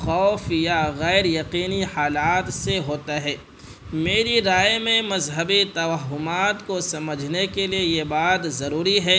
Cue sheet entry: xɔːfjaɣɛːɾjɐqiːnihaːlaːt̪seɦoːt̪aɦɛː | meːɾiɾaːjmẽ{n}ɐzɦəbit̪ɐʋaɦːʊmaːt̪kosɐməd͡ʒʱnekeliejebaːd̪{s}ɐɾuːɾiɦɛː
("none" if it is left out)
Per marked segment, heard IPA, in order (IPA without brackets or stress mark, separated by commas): m, z